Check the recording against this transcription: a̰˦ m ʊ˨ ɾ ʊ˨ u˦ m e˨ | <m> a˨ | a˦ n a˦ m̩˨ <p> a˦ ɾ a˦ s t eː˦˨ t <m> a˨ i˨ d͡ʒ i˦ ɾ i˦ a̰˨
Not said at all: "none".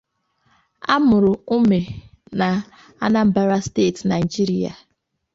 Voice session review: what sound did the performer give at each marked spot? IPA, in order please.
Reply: n, b, n

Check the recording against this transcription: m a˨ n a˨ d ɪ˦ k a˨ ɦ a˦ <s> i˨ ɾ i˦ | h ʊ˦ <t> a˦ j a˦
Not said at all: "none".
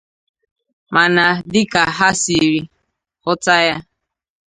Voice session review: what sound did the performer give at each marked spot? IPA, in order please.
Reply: s, t

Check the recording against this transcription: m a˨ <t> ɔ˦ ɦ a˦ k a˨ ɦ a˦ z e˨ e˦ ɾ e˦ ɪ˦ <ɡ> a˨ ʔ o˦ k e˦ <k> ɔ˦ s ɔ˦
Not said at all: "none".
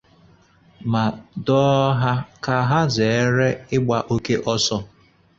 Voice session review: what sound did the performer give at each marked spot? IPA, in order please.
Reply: d, ɡ͡b, ʔ

